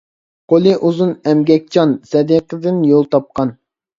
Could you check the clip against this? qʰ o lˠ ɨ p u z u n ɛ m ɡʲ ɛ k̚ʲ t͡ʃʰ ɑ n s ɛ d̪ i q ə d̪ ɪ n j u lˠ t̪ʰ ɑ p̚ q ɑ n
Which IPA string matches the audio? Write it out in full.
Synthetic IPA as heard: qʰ o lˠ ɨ ʔ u z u n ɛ m ɡʲ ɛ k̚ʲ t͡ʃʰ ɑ n s ɛ d̪ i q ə d̪ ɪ n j o lˠ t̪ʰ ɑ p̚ q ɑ n

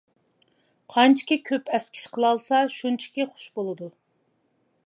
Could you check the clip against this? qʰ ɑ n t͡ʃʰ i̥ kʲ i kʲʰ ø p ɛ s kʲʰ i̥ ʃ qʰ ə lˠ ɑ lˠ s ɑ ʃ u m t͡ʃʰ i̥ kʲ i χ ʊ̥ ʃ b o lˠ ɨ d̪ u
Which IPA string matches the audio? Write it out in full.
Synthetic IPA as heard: qʰ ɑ n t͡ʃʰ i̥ kʲ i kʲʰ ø p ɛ s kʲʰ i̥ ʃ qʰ ə lˠ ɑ lˠ s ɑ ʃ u n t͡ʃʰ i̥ kʲ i χ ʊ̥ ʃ b o lˠ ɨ d̪ u

